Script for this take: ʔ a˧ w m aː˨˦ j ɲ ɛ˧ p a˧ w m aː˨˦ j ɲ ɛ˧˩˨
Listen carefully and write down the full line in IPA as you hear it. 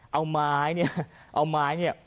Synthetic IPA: ʔ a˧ w m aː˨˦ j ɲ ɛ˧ ʔ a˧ w m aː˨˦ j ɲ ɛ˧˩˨